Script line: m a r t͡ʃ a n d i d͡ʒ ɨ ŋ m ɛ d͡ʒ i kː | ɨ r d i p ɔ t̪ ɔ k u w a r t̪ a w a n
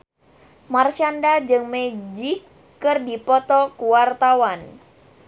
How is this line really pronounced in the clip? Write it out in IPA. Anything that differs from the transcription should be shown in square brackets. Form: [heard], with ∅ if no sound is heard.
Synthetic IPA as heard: m a r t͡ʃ a n d [a] d͡ʒ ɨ ŋ m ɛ d͡ʒ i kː | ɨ r d i p ɔ t̪ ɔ k u w a r t̪ a w a n